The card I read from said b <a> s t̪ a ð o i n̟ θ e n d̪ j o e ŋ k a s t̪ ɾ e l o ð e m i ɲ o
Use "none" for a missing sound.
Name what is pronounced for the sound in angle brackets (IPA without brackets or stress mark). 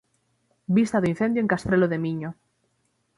i